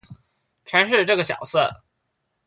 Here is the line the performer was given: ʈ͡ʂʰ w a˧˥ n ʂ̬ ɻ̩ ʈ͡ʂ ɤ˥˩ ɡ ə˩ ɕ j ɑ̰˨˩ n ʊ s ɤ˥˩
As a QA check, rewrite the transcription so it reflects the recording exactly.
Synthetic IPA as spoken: ʈ͡ʂʰ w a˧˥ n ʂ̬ ɻ̩ ʈ͡ʂ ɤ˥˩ ɡ ə˩ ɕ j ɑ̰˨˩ ʊ s ɤ˥˩